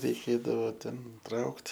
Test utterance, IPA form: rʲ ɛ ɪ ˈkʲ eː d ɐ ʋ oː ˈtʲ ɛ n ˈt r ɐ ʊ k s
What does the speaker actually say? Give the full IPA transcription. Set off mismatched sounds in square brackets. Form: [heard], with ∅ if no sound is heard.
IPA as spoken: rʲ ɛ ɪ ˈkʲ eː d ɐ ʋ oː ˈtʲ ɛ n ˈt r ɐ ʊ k [t]